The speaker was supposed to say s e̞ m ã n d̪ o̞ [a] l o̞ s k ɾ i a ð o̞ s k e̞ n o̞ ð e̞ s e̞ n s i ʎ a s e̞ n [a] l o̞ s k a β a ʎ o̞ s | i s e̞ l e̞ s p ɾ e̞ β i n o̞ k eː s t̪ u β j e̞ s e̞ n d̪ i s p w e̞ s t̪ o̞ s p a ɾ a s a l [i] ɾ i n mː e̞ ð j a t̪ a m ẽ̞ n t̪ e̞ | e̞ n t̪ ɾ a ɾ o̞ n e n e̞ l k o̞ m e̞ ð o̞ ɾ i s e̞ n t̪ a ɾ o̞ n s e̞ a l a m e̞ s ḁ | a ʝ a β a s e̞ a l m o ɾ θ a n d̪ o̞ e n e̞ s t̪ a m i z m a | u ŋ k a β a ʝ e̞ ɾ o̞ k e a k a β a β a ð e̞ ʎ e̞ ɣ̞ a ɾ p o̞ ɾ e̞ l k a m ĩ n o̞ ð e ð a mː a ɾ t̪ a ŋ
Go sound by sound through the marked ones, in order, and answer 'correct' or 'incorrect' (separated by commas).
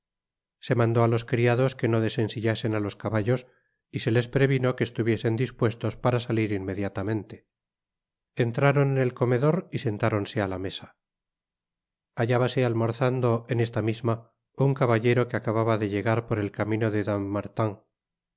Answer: correct, correct, correct